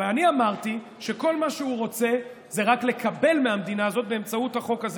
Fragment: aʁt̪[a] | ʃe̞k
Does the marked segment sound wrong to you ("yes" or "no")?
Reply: yes